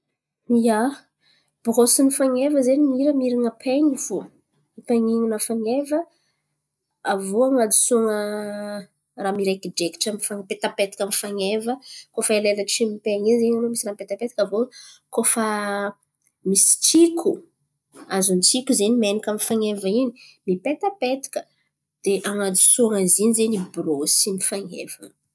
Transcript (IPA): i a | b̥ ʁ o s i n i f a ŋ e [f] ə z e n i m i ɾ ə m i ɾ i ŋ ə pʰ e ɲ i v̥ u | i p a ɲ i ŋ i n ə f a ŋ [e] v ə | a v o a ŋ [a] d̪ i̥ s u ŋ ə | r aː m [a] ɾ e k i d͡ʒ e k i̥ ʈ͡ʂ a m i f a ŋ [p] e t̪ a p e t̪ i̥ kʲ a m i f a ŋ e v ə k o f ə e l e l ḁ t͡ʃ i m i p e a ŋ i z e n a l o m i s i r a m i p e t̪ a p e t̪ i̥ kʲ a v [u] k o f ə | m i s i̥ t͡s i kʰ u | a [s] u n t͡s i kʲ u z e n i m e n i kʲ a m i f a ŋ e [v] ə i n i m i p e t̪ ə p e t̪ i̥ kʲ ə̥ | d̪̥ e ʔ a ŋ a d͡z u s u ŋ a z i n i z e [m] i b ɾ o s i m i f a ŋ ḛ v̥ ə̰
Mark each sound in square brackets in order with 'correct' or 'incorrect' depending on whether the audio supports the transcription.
incorrect, correct, correct, incorrect, correct, incorrect, incorrect, correct, incorrect

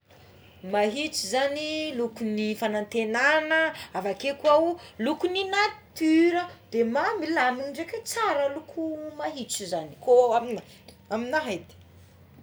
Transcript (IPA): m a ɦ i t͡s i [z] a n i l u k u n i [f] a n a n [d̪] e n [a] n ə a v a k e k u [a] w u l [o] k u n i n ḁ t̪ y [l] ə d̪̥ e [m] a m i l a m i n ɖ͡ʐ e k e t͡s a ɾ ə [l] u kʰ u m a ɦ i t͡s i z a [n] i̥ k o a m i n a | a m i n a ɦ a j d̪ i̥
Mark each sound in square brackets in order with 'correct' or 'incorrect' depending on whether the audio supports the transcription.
correct, correct, incorrect, correct, correct, incorrect, incorrect, correct, correct, correct

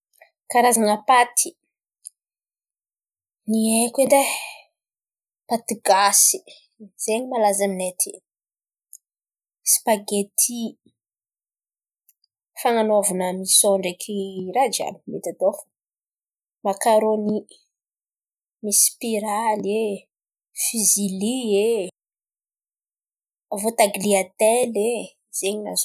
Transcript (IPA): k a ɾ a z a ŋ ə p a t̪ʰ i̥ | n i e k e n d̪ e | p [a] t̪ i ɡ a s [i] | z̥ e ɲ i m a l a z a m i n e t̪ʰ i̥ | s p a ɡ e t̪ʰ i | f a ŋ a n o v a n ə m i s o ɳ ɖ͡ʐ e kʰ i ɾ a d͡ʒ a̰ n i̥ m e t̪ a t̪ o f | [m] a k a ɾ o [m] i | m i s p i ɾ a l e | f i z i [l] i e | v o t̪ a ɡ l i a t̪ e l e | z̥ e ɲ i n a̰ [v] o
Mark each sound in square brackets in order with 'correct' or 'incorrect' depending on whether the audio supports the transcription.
correct, correct, correct, incorrect, correct, incorrect

